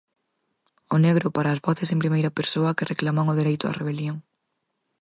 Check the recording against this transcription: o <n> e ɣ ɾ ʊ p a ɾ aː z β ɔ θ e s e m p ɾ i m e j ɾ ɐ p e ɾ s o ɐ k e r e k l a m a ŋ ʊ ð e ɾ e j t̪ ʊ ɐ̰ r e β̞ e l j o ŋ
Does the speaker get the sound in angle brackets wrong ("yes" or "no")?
no